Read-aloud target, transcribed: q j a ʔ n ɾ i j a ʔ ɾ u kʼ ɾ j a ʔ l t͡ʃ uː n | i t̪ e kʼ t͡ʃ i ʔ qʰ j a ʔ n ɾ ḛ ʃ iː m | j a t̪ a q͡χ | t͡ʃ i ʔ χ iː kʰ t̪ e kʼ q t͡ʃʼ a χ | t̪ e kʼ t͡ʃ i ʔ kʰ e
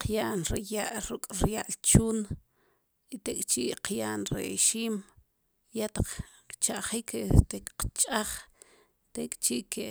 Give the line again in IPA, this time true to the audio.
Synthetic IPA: q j a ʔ n ɾ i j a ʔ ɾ u kʼ ɾ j a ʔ l t͡ʃ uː n | i t̪ e kʼ t͡ʃ i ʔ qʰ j a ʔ n ɾ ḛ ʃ iː m | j a t̪ a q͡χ | t͡ʃ a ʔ χ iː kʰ t̪ e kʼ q t͡ʃʼ a χ | t̪ e kʼ t͡ʃ i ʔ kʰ e